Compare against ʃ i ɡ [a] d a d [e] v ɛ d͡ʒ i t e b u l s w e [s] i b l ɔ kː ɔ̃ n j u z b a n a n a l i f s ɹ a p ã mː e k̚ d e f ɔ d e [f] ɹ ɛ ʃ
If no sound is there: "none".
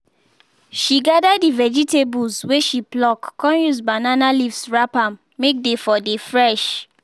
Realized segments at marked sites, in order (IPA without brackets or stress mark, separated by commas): a, i, ʃ, f